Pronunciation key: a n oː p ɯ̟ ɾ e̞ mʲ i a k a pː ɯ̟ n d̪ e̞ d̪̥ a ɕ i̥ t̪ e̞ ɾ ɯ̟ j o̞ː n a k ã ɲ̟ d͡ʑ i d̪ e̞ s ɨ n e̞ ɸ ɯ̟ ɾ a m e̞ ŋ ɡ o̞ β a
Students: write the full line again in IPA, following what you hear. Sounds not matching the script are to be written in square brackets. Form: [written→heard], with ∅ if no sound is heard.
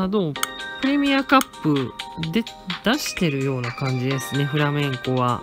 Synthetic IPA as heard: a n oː p ɯ̟ ɾ e̞ mʲ i a k a pː ɯ̟ [n→∅] d̪ e̞ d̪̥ a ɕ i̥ t̪ e̞ ɾ ɯ̟ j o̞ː n a k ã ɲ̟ d͡ʑ i d̪ e̞ s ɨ n e̞ ɸ ɯ̟ ɾ a m [e̞→ẽ̞] ŋ [ɡ→k] o̞ β a